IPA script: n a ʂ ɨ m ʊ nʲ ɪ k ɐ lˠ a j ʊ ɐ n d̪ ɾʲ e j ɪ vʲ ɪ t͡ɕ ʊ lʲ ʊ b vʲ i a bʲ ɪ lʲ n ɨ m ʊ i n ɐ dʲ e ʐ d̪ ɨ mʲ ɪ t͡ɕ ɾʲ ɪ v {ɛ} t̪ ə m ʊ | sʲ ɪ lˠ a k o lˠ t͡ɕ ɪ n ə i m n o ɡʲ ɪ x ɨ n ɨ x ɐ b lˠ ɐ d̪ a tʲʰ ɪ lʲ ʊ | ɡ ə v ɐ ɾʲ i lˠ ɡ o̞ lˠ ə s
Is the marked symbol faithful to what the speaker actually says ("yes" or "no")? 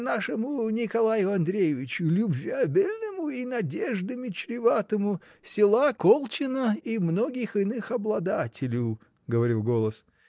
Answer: no